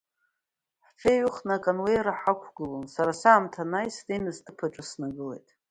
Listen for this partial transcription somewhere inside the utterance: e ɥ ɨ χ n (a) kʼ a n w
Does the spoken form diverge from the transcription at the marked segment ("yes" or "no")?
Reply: no